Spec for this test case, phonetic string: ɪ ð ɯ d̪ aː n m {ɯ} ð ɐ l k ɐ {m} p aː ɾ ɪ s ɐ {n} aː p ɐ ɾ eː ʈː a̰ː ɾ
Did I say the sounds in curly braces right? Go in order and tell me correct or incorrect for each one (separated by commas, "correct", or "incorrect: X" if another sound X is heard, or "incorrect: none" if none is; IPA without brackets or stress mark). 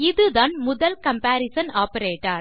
incorrect: ʊ, correct, correct